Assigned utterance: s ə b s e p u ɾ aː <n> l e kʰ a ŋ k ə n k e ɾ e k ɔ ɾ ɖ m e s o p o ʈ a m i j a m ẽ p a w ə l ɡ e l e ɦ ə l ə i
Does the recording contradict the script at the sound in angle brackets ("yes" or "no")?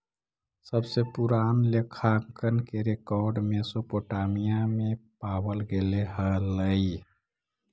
no